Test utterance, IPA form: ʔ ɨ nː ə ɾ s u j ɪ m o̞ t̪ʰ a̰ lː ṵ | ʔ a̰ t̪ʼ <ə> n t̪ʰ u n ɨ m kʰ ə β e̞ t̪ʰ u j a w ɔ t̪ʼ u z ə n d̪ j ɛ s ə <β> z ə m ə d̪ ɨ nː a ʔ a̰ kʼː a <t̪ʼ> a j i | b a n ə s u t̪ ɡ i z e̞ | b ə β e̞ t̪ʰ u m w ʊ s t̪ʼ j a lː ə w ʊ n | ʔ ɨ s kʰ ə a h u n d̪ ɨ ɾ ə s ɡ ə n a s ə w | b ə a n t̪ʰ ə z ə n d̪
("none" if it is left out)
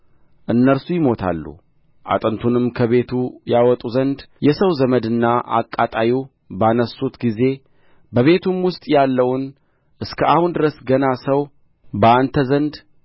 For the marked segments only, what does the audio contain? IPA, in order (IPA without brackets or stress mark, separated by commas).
ə, w, t̪ʼ